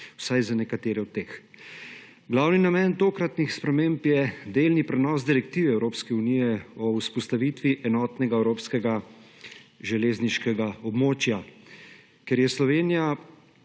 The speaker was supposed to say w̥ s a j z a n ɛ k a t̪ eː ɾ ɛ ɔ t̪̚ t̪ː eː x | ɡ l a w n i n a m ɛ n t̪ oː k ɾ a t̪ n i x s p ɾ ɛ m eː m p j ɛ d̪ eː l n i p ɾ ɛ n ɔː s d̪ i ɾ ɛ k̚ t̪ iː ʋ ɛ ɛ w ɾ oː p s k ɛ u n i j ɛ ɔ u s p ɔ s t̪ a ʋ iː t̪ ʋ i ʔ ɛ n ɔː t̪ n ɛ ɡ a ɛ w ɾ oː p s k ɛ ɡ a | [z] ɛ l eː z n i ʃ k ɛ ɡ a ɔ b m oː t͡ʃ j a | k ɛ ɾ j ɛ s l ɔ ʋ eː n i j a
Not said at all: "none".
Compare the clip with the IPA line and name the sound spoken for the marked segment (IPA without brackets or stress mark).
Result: ʒ